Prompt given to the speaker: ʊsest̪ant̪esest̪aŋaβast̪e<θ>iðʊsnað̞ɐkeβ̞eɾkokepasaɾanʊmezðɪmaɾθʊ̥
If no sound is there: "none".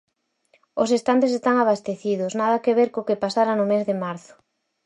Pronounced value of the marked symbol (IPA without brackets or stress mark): θ